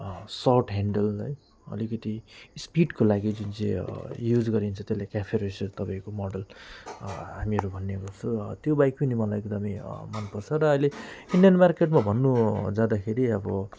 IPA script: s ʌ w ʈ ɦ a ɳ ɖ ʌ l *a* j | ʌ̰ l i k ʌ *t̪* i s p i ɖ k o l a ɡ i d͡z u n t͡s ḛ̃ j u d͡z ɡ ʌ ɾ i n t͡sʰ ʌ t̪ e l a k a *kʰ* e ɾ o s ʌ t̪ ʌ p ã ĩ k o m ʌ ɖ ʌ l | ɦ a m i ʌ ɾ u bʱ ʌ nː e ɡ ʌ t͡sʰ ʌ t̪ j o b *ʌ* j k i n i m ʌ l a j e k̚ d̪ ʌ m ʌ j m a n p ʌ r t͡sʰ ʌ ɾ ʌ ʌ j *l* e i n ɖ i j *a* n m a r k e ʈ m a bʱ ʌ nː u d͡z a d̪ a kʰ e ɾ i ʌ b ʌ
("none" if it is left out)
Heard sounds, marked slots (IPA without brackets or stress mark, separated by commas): ʌ, t̪, pʰ, a, l, ʌ